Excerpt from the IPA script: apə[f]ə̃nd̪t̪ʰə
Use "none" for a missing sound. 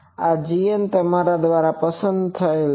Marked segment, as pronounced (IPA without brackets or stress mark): s